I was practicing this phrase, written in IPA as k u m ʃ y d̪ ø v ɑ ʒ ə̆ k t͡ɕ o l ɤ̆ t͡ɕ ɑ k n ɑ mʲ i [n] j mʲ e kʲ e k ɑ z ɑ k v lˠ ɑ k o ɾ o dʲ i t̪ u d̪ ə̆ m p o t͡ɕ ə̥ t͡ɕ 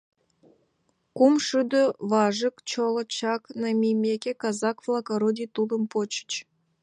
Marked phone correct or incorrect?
incorrect